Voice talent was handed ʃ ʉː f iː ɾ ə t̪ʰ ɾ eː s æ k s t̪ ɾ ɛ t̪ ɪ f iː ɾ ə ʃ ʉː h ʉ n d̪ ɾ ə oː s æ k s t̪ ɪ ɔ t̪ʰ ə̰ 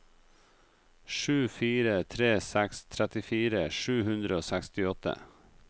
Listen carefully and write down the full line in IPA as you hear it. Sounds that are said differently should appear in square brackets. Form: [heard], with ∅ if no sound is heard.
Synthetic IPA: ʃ ʉː f iː ɾ ə t̪ʰ ɾ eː s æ k s [t̪ʰ] ɾ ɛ t̪ ɪ f iː ɾ ə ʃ ʉː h ʉ n d̪ ɾ ə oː s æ k s t̪ ɪ ɔ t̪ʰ ə̰